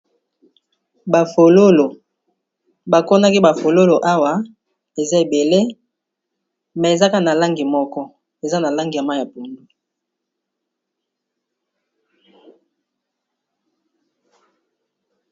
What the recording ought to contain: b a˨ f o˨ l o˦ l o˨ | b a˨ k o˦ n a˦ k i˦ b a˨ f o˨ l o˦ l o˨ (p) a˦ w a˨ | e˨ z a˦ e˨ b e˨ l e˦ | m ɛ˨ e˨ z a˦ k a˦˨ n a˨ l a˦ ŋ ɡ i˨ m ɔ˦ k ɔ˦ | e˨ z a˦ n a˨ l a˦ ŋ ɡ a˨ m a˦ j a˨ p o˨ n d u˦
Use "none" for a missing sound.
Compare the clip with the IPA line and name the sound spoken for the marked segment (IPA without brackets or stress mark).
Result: ʔ